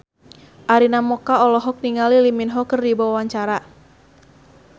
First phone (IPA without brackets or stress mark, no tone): ʔ